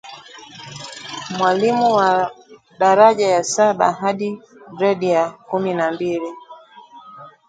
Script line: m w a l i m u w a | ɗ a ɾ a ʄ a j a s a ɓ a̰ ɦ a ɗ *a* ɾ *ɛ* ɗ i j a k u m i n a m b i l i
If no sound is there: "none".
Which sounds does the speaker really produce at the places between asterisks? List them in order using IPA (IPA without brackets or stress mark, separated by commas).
i, ɛ